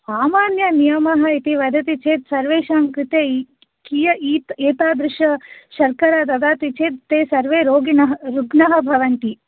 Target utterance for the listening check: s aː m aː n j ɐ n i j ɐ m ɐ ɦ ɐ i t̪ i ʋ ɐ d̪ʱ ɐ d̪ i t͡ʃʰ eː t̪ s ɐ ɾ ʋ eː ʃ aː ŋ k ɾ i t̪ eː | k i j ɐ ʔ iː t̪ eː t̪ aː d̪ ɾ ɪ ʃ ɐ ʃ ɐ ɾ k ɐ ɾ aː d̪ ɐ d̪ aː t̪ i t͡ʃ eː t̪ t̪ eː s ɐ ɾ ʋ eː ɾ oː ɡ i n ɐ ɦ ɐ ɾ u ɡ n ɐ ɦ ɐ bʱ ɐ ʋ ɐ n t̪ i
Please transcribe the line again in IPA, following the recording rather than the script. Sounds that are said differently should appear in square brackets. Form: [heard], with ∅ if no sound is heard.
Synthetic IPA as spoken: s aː m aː n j ɐ n i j ɐ m ɐ ɦ ɐ i t̪ i ʋ ɐ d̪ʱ ɐ [t̪] i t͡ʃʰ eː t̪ s ɐ ɾ ʋ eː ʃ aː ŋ k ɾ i t̪ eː | k i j ɐ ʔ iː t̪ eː t̪ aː d̪ ɾ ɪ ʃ ɐ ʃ ɐ ɾ k ɐ ɾ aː d̪ ɐ d̪ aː t̪ i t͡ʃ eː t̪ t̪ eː s ɐ ɾ ʋ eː ɾ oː ɡ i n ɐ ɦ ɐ ɾ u ɡ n ɐ ɦ ɐ bʱ ɐ ʋ ɐ n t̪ i

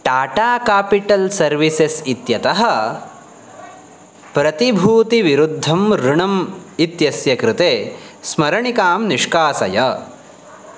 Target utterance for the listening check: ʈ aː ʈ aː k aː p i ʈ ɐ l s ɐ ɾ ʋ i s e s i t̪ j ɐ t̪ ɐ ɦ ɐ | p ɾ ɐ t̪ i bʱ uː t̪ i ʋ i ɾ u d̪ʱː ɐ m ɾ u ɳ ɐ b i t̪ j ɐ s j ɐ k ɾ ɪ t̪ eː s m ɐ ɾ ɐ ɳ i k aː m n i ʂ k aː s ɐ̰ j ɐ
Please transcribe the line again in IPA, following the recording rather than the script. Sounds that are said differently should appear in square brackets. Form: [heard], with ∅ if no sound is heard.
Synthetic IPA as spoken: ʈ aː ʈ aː k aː p i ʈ ɐ l s ɐ ɾ ʋ i s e s i t̪ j ɐ t̪ ɐ ɦ ɐ | p ɾ ɐ t̪ i bʱ uː t̪ i ʋ i ɾ u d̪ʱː ɐ m ɾ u ɳ ɐ [m] i t̪ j ɐ s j ɐ k ɾ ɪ t̪ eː s m ɐ ɾ ɐ ɳ i k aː m n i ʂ k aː s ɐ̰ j ɐ

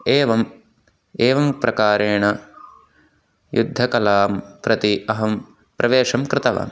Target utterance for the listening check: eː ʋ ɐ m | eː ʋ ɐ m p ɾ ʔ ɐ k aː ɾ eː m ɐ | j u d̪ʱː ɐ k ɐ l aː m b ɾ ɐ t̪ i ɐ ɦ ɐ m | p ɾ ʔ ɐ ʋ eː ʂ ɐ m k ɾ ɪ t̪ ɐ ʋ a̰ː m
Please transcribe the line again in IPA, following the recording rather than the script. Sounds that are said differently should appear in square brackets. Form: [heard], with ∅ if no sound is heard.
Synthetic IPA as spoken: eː ʋ ɐ m | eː ʋ ɐ m p ɾ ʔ ɐ k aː ɾ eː [ɳ] ɐ | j u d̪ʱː ɐ k ɐ l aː m [p] ɾ ɐ t̪ i ɐ ɦ ɐ m | p ɾ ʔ ɐ ʋ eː ʂ ɐ m k ɾ ɪ t̪ ɐ ʋ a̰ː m

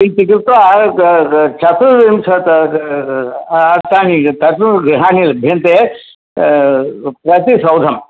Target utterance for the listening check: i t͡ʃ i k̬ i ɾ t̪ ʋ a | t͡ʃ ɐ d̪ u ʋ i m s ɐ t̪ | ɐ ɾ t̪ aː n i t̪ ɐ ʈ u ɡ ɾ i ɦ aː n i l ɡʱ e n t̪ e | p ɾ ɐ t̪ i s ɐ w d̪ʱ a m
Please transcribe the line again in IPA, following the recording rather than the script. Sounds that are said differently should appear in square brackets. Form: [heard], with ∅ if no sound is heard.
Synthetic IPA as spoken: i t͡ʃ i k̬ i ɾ t̪ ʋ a | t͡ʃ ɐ [t̪] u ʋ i m s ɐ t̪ | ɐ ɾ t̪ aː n i t̪ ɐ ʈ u ɡ ɾ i ɦ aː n i l [bʱ] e n t̪ e | p ɾ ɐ t̪ i s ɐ w d̪ʱ [ɐ] m

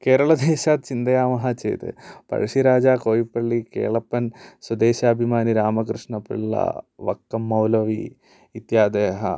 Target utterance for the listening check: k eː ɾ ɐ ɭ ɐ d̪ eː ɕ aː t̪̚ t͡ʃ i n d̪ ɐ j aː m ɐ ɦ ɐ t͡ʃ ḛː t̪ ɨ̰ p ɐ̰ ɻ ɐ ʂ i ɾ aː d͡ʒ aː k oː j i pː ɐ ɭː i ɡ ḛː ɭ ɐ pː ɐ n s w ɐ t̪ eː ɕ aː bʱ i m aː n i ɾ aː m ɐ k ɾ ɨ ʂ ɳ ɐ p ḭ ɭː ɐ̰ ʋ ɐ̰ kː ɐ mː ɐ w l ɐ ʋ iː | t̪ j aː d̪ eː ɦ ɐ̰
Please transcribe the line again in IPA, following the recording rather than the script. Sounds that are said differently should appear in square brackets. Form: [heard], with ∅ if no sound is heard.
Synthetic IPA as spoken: k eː ɾ ɐ ɭ ɐ d̪ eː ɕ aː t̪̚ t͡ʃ i n d̪ ɐ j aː m ɐ ɦ ɐ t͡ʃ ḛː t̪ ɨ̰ p ɐ̰ ɻ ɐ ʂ i ɾ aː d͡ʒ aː k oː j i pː ɐ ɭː i [k] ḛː ɭ ɐ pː ɐ n s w ɐ [d̪] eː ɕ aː bʱ i m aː n i ɾ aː m ɐ k ɾ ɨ ʂ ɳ ɐ p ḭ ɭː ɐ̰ ʋ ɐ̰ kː ɐ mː ɐ w l ɐ ʋ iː | t̪ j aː d̪ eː ɦ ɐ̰

